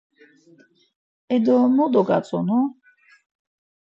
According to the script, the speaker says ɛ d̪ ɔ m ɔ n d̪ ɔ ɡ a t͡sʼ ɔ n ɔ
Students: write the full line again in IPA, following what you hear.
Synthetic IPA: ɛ d̪ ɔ m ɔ d̪ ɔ ɡ a t͡sʼ ɔ n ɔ